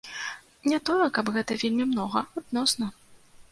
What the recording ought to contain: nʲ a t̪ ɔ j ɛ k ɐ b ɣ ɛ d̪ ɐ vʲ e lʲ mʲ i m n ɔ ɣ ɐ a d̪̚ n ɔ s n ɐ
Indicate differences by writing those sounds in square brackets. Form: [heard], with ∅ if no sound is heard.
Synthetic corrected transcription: nʲ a t̪ ɔ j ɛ k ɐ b ɣ ɛ [t̪] ɐ vʲ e lʲ mʲ i m n ɔ ɣ ɐ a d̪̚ n ɔ s n ɐ